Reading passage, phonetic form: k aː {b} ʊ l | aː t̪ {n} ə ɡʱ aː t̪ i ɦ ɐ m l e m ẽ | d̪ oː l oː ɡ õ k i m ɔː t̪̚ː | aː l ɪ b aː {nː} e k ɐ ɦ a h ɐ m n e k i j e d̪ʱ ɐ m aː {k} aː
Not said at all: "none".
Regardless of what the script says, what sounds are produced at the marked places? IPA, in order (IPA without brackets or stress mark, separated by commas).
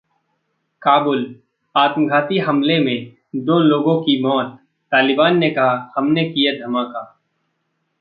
b, m, nː, k